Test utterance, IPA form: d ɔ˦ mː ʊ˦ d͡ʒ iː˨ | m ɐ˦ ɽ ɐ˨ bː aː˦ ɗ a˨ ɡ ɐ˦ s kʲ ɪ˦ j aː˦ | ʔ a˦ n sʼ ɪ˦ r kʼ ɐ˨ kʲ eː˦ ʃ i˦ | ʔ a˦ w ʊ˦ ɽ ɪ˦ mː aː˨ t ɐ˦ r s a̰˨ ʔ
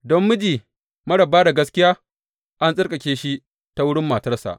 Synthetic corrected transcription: d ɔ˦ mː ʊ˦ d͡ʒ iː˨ | m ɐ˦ ɽ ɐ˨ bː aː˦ d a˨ ɡ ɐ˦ s kʲ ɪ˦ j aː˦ | ʔ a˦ n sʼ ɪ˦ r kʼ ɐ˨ kʲ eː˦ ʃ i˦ | t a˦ w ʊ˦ ɽ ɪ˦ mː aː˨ t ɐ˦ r s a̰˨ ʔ